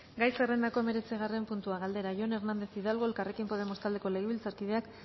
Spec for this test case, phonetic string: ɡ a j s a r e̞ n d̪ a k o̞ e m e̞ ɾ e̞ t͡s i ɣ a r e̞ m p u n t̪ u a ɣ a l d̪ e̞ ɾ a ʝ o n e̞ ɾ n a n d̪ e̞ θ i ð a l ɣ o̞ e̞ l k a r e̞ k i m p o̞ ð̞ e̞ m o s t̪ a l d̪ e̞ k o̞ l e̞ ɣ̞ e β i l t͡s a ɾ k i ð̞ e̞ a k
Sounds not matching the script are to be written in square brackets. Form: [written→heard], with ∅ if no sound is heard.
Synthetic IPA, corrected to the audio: ɡ a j s [a→e] r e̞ n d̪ a k o̞ e m e̞ ɾ e̞ t͡s i ɣ a r e̞ m p u n t̪ u a ɣ a l d̪ e̞ ɾ a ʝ o n e̞ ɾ n a n d̪ e̞ θ i ð a l ɣ o̞ e̞ l k a r e̞ k i m p o̞ ð̞ e̞ m o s t̪ a l d̪ e̞ k o̞ l e̞ ɣ̞ e β i l t͡s a ɾ k i ð̞ e̞ a k